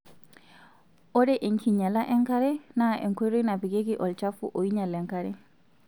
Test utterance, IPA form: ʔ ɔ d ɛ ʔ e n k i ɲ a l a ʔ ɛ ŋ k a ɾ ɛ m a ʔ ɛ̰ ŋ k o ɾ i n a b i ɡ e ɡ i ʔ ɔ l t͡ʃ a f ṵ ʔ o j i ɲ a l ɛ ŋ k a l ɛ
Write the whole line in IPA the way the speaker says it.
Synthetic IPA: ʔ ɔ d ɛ ʔ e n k i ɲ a l a ʔ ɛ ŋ k a ɾ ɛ n a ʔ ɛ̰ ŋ k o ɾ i n a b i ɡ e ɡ i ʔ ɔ l t͡ʃ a f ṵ ʔ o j i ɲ a l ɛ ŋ k a ɾ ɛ